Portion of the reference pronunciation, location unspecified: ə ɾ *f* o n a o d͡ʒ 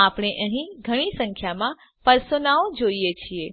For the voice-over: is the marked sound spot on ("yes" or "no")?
no